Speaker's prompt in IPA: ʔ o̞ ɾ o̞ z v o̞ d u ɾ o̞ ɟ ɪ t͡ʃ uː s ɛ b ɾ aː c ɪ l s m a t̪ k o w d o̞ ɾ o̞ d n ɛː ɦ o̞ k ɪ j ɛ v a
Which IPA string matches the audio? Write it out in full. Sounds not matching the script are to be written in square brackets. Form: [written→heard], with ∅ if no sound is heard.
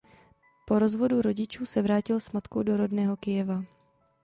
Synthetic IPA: [ʔ→p] o̞ ɾ o̞ z v o̞ d u ɾ o̞ ɟ ɪ t͡ʃ uː s ɛ [b→v] ɾ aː c ɪ l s m a t̪ k o w d o̞ ɾ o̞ d n ɛː ɦ o̞ k ɪ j ɛ v a